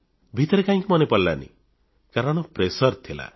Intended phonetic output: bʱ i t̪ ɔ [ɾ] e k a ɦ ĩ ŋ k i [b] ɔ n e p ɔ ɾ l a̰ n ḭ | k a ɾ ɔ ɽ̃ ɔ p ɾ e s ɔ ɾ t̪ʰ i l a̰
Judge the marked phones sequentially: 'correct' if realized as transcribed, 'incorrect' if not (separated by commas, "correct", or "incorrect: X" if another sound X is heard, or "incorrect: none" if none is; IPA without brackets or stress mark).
correct, incorrect: m